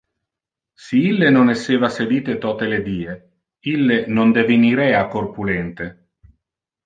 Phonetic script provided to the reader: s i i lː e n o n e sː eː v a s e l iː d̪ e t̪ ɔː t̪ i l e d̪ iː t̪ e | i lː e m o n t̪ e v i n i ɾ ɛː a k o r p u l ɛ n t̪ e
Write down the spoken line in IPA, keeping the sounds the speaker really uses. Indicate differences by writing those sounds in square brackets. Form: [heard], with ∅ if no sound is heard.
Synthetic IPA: s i i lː e n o n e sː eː v a s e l iː [t̪] e t̪ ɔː t̪ [e] l e d̪ iː [∅] e | i lː e [n] o n [d̪] e v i n i ɾ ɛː a k o r p u l ɛ n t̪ e

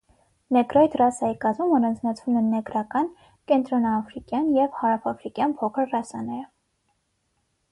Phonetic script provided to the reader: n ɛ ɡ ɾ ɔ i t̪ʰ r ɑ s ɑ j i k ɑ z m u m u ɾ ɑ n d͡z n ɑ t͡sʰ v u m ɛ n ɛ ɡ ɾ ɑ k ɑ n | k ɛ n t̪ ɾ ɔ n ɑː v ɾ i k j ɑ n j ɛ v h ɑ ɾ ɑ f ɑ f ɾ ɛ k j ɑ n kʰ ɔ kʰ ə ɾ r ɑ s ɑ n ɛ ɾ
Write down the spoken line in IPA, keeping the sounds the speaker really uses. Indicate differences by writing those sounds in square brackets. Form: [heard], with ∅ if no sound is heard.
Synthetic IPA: n ɛ ɡ ɾ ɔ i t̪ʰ r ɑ s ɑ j i k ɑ z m u m [ɔ] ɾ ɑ n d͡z n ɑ t͡sʰ v u m ɛ n ɛ ɡ ɾ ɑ k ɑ n | k ɛ n t̪ ɾ ɔ n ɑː [f] ɾ i k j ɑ n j ɛ v h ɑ ɾ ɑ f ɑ f ɾ [i] k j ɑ n [pʰ] ɔ kʰ ə ɾ r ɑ s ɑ n ɛ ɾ

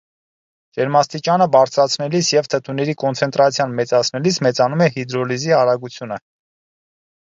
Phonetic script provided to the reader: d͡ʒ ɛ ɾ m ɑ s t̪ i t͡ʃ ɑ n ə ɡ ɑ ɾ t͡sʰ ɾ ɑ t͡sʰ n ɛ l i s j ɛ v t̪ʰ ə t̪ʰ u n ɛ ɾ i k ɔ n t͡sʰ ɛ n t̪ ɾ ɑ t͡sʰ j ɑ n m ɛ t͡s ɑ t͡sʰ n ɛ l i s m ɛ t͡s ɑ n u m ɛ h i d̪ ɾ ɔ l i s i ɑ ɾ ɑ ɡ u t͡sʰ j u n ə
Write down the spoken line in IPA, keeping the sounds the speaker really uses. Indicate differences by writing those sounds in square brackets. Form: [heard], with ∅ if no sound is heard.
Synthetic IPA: d͡ʒ ɛ ɾ m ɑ s t̪ i t͡ʃ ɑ n ə [b] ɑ ɾ t͡sʰ ɾ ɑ t͡sʰ n ɛ l i s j ɛ v t̪ʰ ə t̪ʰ u n ɛ ɾ i k ɔ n t͡sʰ ɛ n t̪ ɾ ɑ t͡sʰ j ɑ n m ɛ t͡s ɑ t͡sʰ n ɛ l i s m ɛ t͡s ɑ n u m ɛ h i d̪ ɾ ɔ l i [z] i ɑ ɾ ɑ ɡ u t͡sʰ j u n ə

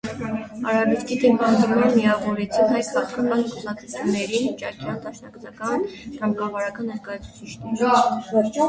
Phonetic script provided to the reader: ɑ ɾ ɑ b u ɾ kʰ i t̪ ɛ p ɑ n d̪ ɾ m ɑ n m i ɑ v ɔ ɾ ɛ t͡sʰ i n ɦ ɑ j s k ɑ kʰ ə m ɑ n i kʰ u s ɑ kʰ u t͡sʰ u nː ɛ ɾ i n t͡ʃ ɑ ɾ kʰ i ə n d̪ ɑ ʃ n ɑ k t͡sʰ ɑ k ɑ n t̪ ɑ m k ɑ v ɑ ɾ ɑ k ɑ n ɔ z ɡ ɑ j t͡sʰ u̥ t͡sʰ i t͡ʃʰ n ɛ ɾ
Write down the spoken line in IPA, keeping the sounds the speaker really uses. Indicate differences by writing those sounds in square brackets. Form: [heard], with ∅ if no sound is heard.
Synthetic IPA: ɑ ɾ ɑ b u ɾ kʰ i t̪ ɛ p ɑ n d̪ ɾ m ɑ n m i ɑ v ɔ ɾ ɛ t͡sʰ i n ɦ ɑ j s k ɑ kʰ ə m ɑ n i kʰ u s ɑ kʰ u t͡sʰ u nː ɛ ɾ i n t͡ʃ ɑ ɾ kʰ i [ɑ] n d̪ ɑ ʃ n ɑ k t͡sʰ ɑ k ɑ n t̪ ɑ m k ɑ v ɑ ɾ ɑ k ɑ n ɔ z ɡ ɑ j t͡sʰ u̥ t͡sʰ i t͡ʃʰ n ɛ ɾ

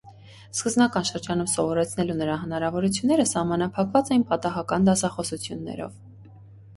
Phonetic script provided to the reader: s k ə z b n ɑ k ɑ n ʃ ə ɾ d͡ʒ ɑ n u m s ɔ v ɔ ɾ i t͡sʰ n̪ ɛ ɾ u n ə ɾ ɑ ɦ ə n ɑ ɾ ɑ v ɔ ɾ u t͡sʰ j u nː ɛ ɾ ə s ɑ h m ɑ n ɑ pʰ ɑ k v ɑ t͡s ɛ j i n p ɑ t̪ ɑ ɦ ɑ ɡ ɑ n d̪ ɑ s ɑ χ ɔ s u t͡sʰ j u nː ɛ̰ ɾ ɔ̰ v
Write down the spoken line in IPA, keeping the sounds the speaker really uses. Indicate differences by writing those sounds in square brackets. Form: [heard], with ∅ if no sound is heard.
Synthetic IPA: s k ə z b n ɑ k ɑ n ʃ ə ɾ d͡ʒ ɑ n u m s ɔ v ɔ ɾ [ɛ] t͡sʰ n̪ ɛ [l] u n ə ɾ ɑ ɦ ə n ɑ ɾ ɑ v ɔ ɾ u t͡sʰ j u nː ɛ ɾ ə s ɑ h m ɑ n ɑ pʰ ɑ k v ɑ t͡s ɛ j i n p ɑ t̪ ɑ ɦ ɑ [k] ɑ n d̪ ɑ s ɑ χ ɔ s u t͡sʰ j u nː ɛ̰ ɾ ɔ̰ v

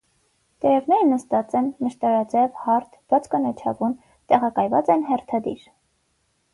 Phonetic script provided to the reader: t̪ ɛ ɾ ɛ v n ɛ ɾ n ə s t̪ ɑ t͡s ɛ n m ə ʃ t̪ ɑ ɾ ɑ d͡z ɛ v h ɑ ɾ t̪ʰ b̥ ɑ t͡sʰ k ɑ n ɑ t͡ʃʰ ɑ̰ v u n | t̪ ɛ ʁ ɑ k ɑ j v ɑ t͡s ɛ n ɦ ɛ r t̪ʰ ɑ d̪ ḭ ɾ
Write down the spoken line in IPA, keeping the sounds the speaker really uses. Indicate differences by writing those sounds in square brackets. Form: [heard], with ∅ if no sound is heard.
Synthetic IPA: t̪ ɛ ɾ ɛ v n ɛ ɾ n ə s t̪ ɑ t͡s ɛ n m ə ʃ t̪ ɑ ɾ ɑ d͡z ɛ v h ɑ ɾ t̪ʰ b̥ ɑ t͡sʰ k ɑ n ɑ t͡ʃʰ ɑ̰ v u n | t̪ ɛ ʁ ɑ k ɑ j v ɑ t͡s ɛ n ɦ ɛ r t̪ʰ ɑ d̪ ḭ ɾ

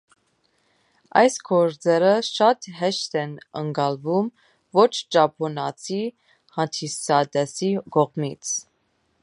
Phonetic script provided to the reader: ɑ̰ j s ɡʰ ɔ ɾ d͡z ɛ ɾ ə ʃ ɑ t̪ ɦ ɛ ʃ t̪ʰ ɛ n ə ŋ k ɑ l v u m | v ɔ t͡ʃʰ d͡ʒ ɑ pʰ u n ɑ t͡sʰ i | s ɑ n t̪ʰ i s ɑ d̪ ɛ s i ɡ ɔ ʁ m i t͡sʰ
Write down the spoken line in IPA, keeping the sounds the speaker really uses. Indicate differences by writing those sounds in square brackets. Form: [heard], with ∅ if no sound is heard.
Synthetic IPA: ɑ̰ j s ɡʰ ɔ ɾ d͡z ɛ ɾ ə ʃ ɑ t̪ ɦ ɛ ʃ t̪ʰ ɛ n ə ŋ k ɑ l v u m | v ɔ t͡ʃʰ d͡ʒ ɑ pʰ [ɔ] n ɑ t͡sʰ i | [h] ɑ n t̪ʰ i s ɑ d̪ ɛ s i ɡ ɔ ʁ m i t͡sʰ

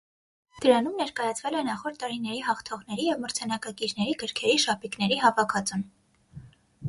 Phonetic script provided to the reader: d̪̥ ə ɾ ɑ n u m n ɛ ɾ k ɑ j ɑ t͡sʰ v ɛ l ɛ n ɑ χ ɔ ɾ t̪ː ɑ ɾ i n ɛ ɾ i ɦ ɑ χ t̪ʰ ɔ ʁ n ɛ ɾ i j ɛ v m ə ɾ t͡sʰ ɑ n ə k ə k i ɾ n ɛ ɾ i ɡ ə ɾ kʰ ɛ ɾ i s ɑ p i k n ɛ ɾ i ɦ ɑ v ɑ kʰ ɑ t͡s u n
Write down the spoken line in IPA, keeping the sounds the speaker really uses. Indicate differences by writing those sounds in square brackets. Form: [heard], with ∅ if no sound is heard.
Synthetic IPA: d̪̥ ə ɾ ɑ n u m n ɛ ɾ k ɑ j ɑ t͡sʰ v ɛ l ɛ n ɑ χ ɔ ɾ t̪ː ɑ ɾ i n ɛ ɾ i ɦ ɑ χ t̪ʰ ɔ ʁ n ɛ ɾ i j ɛ v m ə ɾ t͡sʰ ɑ n [ɑ] k [ɑ] k i ɾ n ɛ ɾ i ɡ ə ɾ kʰ ɛ ɾ i [ʃ] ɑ p i k n ɛ ɾ i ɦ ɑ v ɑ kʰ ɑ t͡s u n

